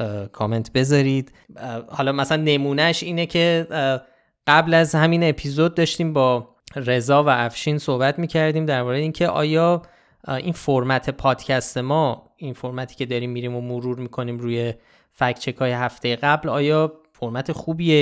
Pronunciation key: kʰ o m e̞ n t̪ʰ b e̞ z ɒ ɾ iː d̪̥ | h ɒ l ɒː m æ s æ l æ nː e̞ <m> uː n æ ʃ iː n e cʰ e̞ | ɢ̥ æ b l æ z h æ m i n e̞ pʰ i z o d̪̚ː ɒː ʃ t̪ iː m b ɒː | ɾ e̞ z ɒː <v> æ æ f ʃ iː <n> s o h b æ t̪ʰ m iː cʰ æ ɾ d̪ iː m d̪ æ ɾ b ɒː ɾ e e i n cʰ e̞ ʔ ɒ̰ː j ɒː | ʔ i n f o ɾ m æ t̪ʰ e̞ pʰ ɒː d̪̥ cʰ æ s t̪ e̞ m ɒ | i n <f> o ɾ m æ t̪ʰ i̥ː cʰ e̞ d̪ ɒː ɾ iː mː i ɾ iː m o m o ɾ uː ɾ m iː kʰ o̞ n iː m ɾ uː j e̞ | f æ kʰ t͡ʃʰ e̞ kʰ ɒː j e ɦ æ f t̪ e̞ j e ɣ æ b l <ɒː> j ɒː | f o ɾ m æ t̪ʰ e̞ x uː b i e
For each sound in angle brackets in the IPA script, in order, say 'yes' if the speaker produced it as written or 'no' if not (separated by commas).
yes, yes, yes, yes, yes